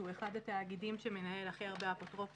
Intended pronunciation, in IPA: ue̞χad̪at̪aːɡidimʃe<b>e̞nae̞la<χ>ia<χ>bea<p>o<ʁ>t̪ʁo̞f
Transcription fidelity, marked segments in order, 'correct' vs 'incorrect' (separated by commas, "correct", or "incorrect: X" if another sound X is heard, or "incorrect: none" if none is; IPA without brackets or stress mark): incorrect: m, correct, incorrect: ʁ, correct, incorrect: none